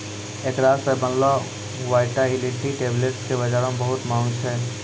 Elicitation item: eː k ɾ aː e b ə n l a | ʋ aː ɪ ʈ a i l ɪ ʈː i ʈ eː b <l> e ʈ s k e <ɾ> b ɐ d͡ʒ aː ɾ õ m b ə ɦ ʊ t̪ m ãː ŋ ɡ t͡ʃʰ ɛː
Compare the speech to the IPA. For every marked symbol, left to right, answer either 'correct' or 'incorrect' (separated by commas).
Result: correct, incorrect